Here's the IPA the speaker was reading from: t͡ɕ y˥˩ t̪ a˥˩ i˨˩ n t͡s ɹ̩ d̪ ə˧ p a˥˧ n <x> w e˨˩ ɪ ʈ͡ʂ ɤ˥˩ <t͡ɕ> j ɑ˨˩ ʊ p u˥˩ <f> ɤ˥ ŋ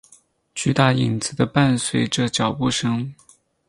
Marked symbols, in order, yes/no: no, yes, no

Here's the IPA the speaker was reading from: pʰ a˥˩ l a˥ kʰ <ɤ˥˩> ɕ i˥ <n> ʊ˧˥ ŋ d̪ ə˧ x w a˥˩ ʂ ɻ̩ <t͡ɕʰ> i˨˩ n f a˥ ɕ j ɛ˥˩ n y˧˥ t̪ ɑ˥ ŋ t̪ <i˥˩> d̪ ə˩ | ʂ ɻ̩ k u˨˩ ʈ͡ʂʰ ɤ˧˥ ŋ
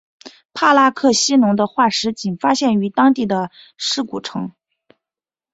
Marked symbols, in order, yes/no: yes, yes, no, yes

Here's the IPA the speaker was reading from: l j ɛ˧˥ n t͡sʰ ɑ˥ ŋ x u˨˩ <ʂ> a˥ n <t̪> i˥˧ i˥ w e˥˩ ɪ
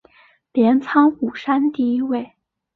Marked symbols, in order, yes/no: yes, yes

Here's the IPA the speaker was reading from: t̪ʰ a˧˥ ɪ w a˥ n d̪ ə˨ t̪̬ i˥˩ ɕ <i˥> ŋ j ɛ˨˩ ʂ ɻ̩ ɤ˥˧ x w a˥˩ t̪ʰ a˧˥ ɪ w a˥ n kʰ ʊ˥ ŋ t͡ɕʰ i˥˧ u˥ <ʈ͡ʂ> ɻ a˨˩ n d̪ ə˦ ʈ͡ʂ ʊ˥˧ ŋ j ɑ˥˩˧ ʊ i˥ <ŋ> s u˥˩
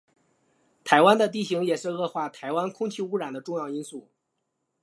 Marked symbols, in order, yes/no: no, no, no

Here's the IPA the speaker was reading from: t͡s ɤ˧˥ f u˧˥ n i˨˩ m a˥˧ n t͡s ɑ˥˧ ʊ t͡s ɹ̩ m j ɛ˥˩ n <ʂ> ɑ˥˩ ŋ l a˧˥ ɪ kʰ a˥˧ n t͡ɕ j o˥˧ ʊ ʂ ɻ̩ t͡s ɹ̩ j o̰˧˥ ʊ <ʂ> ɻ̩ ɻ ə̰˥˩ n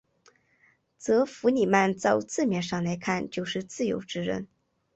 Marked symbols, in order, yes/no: yes, no

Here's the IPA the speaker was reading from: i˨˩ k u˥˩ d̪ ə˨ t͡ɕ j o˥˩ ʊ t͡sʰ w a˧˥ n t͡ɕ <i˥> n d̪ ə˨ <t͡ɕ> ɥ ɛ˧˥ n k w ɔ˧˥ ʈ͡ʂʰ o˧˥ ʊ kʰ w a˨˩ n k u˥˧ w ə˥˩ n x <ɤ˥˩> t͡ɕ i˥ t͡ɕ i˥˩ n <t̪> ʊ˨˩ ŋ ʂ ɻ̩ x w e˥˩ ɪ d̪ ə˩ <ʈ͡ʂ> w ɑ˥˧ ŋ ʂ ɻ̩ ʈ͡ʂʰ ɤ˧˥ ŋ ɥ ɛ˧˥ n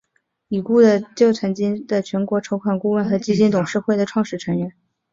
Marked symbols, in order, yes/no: yes, no, no, yes, no

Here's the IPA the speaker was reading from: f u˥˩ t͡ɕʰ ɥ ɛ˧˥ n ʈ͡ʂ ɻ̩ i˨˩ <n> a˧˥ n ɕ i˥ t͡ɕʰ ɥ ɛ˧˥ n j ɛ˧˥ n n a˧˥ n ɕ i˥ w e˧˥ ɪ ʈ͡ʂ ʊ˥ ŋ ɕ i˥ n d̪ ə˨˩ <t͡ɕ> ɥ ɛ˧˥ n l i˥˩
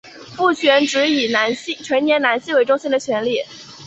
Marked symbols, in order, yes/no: yes, no

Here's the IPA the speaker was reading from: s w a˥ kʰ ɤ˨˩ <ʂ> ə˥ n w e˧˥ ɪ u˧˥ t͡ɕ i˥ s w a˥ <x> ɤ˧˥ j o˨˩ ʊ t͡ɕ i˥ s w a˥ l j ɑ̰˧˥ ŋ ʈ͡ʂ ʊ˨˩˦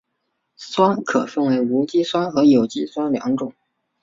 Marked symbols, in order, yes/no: no, yes

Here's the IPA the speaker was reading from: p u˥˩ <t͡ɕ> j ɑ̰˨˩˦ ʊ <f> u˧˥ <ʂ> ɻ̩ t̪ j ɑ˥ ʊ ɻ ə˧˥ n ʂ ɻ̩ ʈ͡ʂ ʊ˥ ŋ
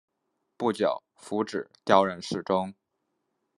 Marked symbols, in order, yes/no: yes, yes, no

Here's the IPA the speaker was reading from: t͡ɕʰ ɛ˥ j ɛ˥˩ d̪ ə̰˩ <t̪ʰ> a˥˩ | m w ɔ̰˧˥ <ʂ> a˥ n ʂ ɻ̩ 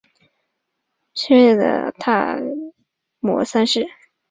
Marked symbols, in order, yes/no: yes, no

